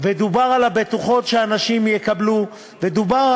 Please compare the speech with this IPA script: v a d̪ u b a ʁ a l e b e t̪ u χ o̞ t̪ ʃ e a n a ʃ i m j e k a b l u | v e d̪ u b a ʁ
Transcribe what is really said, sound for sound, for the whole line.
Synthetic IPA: v e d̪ u b a ʁ a l a b e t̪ u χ o̞ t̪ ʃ e a n a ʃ i m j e k a b l u | v e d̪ u b a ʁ